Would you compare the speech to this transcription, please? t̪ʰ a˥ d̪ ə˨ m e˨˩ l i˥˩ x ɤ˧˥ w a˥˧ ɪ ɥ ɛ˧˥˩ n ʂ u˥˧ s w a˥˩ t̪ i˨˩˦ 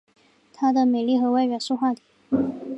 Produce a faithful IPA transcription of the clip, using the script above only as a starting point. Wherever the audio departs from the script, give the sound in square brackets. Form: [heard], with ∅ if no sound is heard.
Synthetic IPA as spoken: t̪ʰ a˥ d̪ ə˨ m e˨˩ l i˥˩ x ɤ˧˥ w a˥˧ ɪ ɥ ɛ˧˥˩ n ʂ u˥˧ [x] w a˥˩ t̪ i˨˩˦